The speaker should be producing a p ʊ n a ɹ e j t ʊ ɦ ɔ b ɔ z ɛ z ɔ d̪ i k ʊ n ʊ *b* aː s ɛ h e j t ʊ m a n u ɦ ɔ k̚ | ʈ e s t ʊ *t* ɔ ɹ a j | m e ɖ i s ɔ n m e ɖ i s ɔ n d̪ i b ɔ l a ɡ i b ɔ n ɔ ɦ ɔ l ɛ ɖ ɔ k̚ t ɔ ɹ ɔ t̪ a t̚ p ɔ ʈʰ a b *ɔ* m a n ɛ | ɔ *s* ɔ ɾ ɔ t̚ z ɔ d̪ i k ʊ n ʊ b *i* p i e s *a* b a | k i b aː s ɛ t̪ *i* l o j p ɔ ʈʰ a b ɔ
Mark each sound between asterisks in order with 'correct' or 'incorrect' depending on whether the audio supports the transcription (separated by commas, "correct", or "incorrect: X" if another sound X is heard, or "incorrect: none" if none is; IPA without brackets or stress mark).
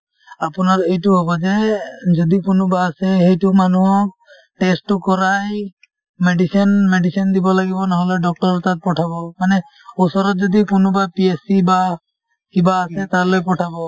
correct, incorrect: k, correct, correct, incorrect: a, incorrect: i, incorrect: a